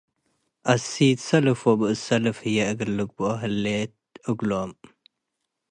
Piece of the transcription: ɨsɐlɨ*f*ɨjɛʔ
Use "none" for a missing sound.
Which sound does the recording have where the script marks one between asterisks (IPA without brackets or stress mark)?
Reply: f